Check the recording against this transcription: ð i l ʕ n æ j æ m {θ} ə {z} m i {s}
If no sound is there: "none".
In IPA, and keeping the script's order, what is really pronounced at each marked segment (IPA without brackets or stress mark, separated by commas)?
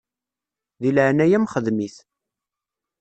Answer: χ, ð, θ